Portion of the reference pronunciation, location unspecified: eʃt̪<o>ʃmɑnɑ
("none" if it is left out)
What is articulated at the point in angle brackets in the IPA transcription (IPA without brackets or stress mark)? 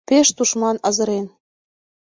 u